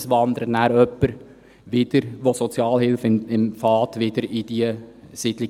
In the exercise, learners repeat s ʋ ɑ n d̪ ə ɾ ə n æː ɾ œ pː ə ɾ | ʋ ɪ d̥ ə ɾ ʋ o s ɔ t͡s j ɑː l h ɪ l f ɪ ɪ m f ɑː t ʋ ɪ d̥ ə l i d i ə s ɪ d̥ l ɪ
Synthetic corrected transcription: s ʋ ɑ n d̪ ə ɾ ə n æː ɾ œ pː ə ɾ | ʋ ɪ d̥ ə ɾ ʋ o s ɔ t͡s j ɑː l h ɪ l f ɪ ɪ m f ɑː t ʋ ɪ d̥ ə ɾ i d i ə s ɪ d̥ l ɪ

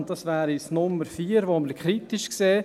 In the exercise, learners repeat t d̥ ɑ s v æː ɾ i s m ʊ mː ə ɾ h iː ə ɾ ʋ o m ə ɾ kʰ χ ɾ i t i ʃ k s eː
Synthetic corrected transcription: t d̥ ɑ s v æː ɾ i s n ʊ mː ə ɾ f iː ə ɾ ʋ o m ə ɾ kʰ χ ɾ i t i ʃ k s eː

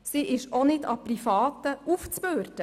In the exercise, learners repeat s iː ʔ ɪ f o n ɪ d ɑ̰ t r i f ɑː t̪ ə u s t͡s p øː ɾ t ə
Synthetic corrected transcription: s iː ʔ ɪ ʃ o n ɪ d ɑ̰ p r i f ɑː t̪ ə u f t͡s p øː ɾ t ə

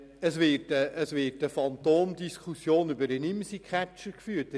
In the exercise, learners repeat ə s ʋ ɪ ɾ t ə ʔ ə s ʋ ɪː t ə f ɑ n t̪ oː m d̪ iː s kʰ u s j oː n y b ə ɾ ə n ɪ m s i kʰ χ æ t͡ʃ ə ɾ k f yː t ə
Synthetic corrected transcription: ə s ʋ ɪ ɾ t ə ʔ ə s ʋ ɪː t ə f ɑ n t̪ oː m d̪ i s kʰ u s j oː n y b ə ɾ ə n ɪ m s i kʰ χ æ t͡ʃ ə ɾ k f yː t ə

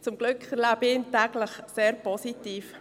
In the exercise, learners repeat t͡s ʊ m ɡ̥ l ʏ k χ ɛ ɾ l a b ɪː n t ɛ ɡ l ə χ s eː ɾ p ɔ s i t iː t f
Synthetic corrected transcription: t͡s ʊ m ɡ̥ l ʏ k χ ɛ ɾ l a b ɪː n t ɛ ɡ l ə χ s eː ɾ p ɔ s i t iː f

